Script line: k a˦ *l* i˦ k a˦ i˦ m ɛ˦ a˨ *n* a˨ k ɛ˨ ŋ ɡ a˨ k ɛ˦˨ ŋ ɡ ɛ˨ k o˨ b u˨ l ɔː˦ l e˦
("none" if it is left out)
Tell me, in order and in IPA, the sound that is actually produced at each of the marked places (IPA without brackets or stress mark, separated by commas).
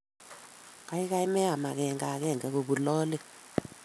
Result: none, m